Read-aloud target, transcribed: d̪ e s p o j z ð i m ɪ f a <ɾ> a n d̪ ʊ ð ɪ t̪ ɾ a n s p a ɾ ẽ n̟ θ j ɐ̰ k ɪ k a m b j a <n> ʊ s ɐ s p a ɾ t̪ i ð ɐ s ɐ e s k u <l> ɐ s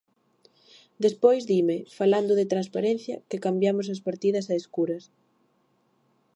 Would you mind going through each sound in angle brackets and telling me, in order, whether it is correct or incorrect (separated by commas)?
incorrect, incorrect, incorrect